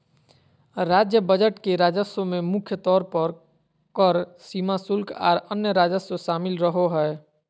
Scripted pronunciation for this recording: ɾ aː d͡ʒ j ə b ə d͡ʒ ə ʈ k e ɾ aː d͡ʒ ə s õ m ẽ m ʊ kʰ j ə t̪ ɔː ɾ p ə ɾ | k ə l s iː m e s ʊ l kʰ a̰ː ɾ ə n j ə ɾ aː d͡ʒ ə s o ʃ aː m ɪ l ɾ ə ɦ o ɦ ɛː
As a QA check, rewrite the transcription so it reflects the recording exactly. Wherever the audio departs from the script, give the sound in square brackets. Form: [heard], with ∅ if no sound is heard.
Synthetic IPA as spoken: ɾ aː d͡ʒ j ə b ə d͡ʒ ə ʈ k e ɾ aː d͡ʒ ə s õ m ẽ m ʊ kʰ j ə t̪ ɔː ɾ p ə ɾ | k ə [ɾ] s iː m [a] s ʊ l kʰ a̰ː ɾ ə n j ə ɾ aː d͡ʒ ə s o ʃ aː m ɪ l ɾ ə ɦ o ɦ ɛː